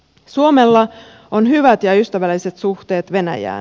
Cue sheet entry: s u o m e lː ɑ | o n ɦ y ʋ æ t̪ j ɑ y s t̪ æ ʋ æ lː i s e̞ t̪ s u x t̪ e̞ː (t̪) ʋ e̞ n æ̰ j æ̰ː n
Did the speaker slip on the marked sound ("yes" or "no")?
no